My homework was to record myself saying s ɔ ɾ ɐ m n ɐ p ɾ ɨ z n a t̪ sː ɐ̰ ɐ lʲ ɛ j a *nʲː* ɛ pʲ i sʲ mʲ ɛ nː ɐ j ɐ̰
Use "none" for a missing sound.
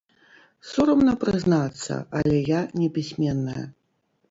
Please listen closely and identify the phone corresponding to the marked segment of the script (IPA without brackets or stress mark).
nʲ